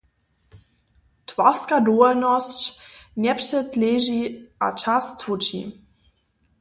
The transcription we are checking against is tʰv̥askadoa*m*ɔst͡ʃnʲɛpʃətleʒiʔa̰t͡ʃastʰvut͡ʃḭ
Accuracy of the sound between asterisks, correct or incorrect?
incorrect